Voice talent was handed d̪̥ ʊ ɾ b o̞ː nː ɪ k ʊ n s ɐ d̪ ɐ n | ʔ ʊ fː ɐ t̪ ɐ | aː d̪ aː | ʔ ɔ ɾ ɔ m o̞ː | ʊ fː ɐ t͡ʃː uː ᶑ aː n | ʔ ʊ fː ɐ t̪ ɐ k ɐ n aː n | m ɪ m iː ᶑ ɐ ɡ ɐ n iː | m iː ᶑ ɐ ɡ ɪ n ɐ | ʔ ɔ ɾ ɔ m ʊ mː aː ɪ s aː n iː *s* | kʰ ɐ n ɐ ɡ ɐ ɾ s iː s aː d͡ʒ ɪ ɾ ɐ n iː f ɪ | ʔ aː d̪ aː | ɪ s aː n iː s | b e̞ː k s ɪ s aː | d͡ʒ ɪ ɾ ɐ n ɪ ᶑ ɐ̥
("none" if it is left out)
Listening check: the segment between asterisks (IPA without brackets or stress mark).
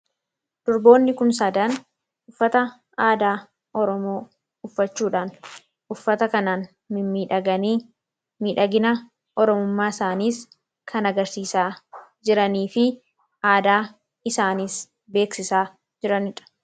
s